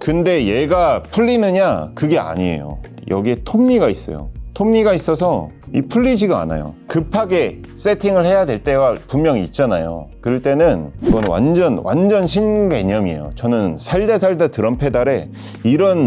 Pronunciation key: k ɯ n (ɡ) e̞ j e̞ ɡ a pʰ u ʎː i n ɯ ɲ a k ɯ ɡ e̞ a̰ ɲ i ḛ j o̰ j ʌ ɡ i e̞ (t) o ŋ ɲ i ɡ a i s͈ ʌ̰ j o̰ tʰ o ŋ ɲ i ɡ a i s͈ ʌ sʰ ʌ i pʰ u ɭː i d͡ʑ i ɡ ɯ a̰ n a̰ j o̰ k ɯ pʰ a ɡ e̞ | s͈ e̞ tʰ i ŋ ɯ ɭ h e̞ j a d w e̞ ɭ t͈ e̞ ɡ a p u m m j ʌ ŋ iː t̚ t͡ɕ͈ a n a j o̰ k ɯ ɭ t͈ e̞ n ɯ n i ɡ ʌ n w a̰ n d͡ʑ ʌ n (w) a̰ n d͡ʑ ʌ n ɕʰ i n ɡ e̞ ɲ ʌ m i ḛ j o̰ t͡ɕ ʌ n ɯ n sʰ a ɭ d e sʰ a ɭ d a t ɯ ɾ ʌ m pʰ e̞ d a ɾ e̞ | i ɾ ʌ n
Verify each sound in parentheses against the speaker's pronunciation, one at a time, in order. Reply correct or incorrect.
incorrect, incorrect, correct

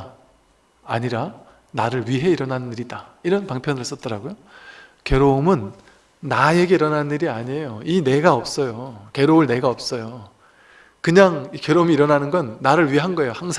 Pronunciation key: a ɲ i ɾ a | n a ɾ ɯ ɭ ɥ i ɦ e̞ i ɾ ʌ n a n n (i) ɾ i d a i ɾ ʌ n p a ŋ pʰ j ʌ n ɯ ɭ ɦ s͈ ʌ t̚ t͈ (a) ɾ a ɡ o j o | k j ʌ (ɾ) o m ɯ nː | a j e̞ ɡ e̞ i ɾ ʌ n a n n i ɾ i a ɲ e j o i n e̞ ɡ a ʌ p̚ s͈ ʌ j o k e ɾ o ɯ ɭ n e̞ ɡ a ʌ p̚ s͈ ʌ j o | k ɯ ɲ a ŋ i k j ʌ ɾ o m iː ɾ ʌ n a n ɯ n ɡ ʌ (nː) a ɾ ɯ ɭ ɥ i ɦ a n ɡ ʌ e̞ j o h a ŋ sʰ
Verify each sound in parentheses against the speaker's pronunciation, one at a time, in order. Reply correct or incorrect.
correct, incorrect, correct, correct

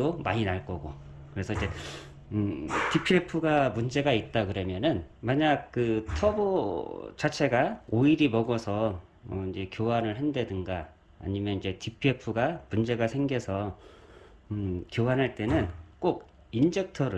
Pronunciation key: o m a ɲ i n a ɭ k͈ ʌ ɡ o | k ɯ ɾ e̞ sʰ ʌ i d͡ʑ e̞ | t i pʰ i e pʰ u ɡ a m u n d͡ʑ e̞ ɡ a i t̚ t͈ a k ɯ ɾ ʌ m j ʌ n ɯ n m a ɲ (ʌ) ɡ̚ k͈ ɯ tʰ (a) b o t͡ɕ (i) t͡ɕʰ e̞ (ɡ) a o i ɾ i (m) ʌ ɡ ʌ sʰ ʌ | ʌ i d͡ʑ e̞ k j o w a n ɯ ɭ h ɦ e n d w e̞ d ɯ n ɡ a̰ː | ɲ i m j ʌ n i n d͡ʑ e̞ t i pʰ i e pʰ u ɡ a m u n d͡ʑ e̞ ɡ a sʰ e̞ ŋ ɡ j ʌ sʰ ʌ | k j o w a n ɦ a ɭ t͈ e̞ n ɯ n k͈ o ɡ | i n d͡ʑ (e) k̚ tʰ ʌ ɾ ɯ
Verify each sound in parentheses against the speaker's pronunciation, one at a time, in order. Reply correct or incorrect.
incorrect, incorrect, incorrect, correct, correct, correct

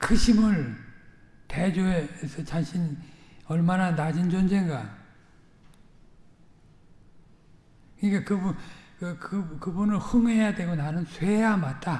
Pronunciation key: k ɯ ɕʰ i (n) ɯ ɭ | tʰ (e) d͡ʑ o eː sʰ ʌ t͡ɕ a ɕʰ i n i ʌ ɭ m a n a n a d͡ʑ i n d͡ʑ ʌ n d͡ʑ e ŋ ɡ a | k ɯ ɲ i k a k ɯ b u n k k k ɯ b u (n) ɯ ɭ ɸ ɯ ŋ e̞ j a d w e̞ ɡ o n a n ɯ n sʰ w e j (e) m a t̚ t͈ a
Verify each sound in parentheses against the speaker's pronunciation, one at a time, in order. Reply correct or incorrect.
incorrect, correct, correct, incorrect

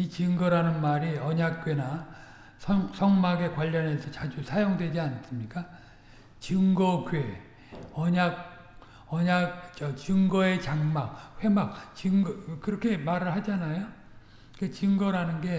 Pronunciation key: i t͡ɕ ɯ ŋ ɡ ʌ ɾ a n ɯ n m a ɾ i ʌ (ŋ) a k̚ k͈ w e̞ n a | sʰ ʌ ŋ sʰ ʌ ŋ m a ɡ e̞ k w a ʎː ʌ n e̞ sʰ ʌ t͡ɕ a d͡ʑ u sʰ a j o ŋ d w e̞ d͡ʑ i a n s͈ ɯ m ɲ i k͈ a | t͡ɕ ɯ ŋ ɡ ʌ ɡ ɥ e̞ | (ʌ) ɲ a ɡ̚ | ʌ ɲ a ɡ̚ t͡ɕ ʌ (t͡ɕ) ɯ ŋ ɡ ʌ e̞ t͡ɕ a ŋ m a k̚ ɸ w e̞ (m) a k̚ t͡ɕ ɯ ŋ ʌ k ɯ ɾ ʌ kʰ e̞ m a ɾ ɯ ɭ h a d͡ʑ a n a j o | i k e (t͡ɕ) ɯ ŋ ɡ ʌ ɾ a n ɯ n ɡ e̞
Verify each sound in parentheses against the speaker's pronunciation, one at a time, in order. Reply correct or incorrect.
incorrect, correct, correct, correct, correct

